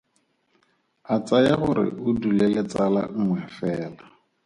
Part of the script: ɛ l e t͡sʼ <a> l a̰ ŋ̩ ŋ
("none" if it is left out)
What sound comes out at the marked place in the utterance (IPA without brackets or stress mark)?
a